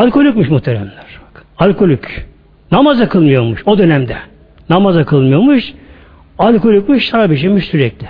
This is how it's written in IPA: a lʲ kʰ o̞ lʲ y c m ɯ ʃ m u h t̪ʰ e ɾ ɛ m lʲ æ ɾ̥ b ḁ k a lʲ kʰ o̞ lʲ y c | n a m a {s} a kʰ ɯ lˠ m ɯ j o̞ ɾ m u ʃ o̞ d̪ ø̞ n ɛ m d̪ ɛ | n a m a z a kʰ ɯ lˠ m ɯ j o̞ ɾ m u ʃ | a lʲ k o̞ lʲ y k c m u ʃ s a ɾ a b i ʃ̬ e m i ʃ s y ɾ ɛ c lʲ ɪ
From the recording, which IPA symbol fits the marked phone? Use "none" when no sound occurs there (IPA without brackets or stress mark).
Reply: z